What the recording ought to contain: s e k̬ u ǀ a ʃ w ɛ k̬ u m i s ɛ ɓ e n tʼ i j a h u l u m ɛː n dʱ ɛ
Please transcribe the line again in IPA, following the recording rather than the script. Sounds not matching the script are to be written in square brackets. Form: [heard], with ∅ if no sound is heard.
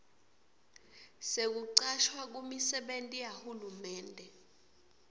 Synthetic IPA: s e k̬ u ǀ a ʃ w [a] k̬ u m i s ɛ ɓ e n tʼ i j a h u l u m ɛː n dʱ ɛ